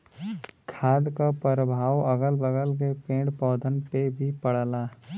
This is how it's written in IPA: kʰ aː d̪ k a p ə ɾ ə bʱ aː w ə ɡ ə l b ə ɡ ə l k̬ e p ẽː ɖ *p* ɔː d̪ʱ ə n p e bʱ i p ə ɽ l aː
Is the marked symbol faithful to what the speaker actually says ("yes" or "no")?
yes